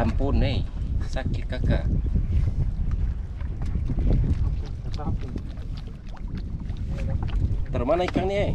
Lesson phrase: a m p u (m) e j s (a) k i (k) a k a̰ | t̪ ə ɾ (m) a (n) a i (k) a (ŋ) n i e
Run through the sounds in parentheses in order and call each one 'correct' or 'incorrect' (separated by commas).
incorrect, correct, correct, correct, correct, correct, correct